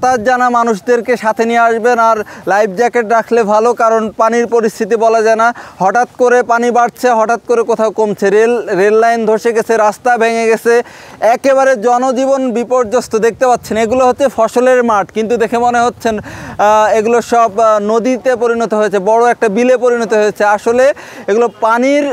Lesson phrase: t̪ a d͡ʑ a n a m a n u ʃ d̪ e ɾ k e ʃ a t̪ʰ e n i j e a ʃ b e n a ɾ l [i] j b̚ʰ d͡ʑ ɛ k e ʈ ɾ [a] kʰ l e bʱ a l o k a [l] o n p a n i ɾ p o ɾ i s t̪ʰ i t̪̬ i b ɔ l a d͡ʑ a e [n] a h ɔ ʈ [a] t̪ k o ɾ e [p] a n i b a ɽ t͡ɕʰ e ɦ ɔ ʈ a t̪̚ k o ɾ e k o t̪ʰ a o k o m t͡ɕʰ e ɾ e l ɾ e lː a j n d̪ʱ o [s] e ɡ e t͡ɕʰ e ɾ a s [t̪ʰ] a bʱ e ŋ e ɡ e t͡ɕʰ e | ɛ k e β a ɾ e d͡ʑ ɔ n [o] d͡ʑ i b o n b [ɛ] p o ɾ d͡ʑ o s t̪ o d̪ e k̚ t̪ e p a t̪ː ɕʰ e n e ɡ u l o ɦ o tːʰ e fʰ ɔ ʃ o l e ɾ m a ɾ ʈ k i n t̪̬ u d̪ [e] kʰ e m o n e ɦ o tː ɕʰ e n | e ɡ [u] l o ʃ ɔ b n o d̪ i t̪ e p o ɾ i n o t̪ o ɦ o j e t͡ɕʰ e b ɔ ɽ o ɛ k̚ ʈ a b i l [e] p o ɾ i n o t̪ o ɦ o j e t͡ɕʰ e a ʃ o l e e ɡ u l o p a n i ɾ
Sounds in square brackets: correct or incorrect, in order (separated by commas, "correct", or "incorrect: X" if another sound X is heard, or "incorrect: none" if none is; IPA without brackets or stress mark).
incorrect: a, correct, incorrect: ɾ, correct, correct, correct, incorrect: ʃ, incorrect: t̪, correct, incorrect: i, correct, correct, correct